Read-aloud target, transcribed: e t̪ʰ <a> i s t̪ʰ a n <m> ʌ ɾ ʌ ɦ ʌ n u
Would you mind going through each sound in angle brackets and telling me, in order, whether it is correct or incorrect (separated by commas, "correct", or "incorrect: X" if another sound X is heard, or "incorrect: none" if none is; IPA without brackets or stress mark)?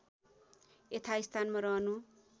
correct, correct